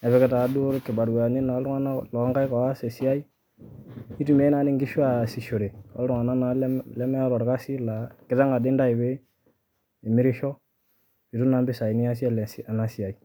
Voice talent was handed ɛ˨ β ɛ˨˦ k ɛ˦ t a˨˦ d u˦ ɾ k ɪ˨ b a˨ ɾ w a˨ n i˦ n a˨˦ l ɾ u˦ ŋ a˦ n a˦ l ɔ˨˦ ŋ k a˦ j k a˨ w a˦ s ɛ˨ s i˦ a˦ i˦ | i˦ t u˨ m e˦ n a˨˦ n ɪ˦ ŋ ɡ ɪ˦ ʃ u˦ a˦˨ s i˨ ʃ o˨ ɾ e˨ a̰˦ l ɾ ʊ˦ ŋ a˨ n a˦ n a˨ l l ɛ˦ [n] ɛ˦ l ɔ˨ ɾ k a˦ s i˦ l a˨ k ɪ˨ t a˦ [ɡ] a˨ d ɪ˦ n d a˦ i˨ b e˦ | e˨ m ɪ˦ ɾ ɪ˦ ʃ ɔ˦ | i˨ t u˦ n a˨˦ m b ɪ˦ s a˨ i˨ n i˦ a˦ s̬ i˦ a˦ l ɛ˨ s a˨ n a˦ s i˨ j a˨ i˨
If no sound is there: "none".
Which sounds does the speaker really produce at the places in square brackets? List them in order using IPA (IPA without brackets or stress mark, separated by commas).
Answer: m, ŋ